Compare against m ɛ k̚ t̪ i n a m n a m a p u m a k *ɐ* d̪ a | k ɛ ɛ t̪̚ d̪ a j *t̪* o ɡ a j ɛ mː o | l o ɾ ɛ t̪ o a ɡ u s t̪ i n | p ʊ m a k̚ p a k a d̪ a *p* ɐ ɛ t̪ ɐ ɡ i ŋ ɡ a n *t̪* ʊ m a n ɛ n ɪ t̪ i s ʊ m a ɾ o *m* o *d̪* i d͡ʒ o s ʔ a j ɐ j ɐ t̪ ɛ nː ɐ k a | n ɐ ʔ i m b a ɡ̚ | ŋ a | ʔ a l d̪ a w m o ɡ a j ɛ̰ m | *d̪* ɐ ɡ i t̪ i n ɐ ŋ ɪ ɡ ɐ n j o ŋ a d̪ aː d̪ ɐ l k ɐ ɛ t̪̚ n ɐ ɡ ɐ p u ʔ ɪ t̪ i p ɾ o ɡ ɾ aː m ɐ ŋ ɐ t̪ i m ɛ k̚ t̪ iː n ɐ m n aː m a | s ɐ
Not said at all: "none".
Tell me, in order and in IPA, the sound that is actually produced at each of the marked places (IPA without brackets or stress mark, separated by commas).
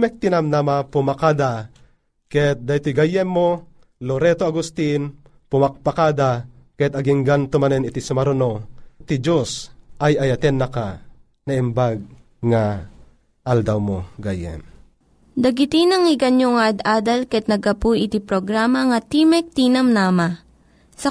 a, t̪, k, t̪, n, t̪, d̪